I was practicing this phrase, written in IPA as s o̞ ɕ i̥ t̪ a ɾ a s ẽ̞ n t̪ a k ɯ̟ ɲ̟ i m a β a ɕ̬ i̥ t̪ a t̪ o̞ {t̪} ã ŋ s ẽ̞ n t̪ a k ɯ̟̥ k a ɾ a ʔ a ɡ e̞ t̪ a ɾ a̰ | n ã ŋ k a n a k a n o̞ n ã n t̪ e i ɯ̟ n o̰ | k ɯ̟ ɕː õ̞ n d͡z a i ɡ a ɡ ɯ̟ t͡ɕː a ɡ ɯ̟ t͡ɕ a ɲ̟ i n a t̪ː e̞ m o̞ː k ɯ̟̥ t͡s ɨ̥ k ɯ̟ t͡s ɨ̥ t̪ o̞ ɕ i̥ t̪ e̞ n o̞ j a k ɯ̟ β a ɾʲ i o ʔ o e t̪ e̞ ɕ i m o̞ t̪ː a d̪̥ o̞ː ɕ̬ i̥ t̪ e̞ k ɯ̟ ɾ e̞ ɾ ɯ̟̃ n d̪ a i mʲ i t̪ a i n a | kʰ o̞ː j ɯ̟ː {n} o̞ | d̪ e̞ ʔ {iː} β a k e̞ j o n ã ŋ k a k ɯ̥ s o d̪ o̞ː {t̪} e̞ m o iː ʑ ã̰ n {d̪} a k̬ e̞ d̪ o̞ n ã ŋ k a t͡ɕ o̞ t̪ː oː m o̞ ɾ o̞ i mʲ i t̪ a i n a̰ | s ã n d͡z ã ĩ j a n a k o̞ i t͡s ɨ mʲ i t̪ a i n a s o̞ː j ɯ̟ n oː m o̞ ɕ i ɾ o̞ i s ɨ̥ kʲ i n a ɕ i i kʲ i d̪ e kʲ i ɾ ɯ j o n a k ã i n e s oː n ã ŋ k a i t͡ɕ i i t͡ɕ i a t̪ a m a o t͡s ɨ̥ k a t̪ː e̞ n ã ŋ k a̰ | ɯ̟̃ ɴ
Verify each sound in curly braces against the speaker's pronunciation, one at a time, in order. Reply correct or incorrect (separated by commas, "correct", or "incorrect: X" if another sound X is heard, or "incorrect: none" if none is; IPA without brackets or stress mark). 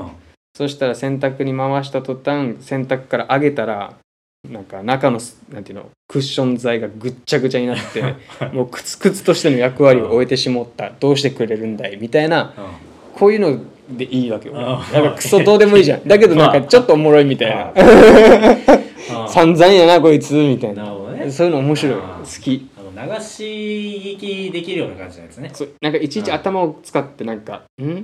correct, correct, correct, incorrect: d̪, correct